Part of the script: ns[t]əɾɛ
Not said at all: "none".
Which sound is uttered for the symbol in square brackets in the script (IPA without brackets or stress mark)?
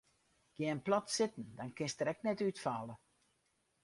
t